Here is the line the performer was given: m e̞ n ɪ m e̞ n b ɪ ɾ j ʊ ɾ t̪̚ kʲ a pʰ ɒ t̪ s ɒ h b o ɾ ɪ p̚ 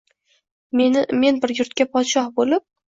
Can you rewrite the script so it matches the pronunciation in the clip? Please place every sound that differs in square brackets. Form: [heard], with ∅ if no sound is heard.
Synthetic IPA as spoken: m e̞ n ɪ m e̞ n b ɪ ɾ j ʊ ɾ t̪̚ kʲ a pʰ ɒ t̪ [ʃ] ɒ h b o [l] ɪ p̚